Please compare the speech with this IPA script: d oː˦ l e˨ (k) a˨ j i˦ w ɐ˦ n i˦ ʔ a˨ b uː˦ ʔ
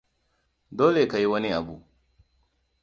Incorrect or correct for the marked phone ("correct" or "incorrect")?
correct